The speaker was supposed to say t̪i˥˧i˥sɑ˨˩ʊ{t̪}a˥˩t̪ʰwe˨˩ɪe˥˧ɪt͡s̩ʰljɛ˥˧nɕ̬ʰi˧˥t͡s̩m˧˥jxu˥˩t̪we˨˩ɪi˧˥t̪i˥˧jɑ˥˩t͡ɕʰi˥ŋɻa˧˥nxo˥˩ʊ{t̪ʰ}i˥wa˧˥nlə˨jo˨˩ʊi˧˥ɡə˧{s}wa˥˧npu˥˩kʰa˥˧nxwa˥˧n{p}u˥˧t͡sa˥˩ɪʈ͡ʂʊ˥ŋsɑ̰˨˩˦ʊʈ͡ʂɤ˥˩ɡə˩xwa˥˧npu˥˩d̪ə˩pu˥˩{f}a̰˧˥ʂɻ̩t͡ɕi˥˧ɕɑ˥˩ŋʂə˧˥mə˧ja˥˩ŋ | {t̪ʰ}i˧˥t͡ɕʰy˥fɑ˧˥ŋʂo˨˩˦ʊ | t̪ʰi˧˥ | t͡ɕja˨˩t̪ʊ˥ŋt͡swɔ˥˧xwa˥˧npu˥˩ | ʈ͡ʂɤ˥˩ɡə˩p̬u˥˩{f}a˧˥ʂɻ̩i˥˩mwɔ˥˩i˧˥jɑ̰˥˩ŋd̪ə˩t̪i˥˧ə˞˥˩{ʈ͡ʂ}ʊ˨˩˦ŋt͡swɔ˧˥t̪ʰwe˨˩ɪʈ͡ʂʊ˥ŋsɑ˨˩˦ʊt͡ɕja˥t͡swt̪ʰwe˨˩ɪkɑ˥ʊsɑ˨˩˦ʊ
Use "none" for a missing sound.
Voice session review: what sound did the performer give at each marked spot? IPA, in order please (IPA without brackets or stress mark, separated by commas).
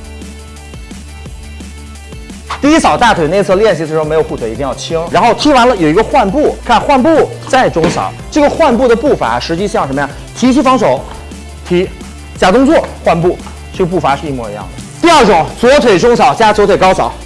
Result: t̪, t̪ʰ, x, p, f, t̪ʰ, f, ʈ͡ʂ